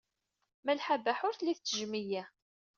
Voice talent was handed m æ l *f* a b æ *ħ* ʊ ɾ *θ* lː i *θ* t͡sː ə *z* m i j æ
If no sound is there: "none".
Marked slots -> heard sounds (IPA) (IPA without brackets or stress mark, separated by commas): ħ, ħ, θ, θ, ʒ